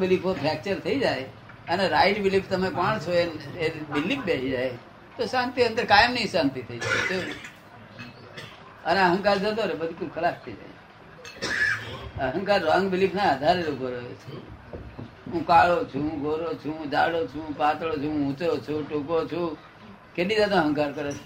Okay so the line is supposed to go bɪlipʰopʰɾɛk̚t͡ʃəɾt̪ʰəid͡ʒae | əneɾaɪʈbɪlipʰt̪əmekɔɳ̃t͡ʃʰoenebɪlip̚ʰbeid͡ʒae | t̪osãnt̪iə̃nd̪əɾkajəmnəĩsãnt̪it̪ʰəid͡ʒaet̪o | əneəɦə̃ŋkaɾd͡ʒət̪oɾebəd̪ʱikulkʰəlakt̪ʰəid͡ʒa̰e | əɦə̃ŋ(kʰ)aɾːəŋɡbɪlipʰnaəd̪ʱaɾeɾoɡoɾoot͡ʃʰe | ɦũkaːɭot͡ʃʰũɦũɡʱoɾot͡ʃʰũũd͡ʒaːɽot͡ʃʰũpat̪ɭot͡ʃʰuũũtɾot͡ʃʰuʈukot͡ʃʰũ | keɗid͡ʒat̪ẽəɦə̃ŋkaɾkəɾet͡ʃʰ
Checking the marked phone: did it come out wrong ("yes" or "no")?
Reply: yes